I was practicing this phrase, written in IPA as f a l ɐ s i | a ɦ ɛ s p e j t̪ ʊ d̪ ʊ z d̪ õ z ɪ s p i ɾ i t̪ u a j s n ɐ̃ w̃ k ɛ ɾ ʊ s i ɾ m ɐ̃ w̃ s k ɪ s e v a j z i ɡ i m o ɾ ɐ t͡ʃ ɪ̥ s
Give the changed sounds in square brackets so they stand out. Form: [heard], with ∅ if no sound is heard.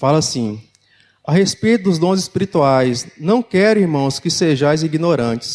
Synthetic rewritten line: f a l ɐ s [ĩ] | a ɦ [e] s p e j t̪ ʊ d̪ ʊ z d̪ õ z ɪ s p i ɾ i t̪ u a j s n ɐ̃ w̃ k ɛ ɾ ʊ [∅] i ɾ m ɐ̃ w̃ s k ɪ s e [ʒ] a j z i ɡ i [n] o ɾ [ɐ̃] t͡ʃ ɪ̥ s